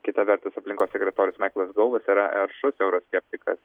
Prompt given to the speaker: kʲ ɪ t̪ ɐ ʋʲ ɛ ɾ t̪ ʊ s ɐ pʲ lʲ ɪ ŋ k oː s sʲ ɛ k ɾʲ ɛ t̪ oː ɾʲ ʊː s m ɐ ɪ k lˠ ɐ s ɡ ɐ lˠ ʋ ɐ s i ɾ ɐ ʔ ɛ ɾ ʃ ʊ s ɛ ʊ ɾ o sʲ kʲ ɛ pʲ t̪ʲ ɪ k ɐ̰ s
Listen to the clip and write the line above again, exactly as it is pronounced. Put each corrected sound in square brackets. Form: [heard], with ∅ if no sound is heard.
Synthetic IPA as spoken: kʲ ɪ t̪ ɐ ʋʲ ɛ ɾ t̪ ʊ s ɐ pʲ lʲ ɪ ŋ k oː s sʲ ɛ k ɾʲ ɛ t̪ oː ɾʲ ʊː s m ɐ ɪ k lˠ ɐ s ɡ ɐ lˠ ʋ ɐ s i ɾ ɐ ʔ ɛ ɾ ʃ ʊ s ɛ ʊ ɾ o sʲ kʲ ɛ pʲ t̪ʲ ɪ k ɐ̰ s